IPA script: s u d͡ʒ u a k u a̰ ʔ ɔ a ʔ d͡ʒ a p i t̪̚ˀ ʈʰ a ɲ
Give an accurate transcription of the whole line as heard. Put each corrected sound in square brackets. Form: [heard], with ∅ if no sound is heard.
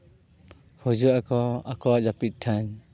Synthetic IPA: [h] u d͡ʒ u a k [ɔ] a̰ [k] ɔ a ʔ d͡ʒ a p i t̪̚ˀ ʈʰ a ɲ